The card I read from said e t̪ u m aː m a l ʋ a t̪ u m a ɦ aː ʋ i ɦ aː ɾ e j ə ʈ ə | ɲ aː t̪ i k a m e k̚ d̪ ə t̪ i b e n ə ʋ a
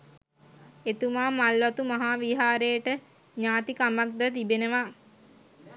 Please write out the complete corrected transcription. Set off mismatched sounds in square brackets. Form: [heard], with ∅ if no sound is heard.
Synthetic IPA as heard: e t̪ u m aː m a l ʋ a t̪ u m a ɦ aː ʋ i ɦ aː ɾ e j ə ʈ ə | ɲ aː t̪ i k a m [a] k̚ d̪ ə t̪ i b e n ə ʋ a

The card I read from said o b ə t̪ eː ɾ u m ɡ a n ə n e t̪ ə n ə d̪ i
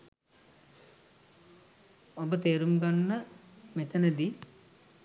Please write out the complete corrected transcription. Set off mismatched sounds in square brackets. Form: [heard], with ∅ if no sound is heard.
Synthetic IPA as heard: o b ə t̪ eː ɾ u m ɡ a [nː] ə [m] e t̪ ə n ə d̪ i

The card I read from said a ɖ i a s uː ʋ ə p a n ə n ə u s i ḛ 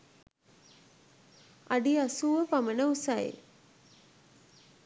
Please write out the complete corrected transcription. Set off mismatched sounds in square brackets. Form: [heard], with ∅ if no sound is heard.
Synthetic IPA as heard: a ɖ i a s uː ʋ ə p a [m] ə n ə u s [a] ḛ

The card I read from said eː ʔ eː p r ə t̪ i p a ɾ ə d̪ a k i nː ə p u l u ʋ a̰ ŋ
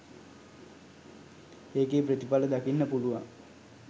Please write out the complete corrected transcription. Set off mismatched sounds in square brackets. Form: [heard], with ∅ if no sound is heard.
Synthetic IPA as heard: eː [k] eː p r ə t̪ i p a [l] ə d̪ a k i nː ə p u l u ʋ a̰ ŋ

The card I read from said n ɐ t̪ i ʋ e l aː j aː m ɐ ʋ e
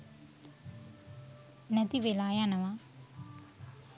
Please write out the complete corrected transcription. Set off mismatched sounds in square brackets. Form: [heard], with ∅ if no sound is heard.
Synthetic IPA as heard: n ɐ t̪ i ʋ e l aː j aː [n] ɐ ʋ [a]

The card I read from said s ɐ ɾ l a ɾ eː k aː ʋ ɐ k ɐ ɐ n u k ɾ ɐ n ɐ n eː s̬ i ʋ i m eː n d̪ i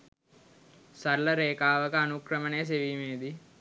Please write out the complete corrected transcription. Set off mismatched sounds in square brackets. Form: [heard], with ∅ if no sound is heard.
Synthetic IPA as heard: s ɐ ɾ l [ɐ] ɾ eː k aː ʋ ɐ k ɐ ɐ n u k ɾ ɐ [m] ɐ n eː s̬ [e] ʋ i m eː [∅] d̪ i

